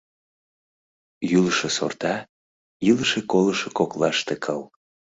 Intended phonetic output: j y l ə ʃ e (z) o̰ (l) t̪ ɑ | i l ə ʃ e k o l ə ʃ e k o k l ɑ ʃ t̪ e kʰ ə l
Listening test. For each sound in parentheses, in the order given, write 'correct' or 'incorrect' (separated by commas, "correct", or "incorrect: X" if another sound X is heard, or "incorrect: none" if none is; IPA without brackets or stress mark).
incorrect: s, incorrect: r